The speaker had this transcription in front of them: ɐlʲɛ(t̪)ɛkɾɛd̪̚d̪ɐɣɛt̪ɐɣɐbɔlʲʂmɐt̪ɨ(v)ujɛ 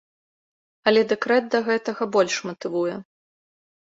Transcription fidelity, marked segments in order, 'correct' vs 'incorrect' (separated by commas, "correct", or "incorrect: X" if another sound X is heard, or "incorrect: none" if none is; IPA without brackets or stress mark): incorrect: d̪, correct